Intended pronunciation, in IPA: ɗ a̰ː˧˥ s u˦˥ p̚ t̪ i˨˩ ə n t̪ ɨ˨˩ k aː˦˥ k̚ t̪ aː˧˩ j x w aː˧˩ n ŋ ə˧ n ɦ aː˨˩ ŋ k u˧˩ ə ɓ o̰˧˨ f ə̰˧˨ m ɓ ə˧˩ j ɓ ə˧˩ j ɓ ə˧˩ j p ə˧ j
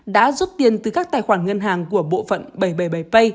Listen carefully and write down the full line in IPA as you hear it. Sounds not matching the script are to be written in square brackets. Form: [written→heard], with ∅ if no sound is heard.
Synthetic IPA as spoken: ɗ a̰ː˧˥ [s→z] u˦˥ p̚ t̪ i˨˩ ə n t̪ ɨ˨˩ k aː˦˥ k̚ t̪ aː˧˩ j x w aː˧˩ n ŋ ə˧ n ɦ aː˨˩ ŋ k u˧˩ ə ɓ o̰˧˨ f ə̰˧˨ [m→n] ɓ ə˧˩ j ɓ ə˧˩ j ɓ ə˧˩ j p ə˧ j